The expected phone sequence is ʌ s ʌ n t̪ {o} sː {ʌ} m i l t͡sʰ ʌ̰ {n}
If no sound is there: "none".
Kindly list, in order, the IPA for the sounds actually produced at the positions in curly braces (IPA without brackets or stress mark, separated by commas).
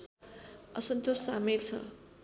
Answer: o, a, none